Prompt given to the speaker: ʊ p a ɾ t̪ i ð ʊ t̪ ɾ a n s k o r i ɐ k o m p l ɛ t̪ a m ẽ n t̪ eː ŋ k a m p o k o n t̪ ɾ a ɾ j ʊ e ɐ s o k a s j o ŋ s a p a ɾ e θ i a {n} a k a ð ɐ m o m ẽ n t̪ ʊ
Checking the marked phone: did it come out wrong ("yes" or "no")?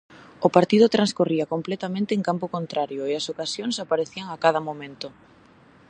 yes